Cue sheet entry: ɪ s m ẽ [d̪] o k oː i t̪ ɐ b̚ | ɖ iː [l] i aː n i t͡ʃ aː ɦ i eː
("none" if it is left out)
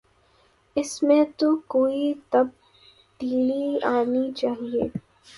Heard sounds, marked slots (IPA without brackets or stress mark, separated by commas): t̪, l